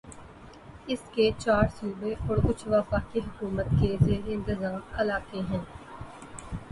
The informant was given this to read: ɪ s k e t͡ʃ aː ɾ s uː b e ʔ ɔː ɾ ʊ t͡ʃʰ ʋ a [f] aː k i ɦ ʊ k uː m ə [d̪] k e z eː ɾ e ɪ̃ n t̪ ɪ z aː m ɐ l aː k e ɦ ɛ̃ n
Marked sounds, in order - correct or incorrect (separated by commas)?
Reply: correct, incorrect